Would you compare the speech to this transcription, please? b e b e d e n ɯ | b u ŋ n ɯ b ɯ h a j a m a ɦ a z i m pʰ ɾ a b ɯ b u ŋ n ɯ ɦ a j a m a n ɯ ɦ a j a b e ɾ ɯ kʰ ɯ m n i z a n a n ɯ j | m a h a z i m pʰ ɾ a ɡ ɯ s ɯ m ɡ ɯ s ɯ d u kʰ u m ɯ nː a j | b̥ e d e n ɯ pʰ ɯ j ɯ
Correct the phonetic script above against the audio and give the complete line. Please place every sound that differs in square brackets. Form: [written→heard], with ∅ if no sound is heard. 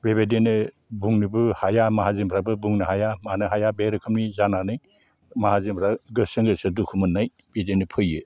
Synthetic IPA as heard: b e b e d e n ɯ | b u ŋ n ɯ b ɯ h a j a m a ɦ a z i m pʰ ɾ a b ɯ b u ŋ n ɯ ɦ a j a m a n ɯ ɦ a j a b e ɾ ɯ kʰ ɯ m n i z a n a n ɯ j | m a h a z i m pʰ ɾ a ɡ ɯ s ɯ [m→ŋ] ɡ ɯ s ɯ d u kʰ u m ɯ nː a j | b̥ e d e n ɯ pʰ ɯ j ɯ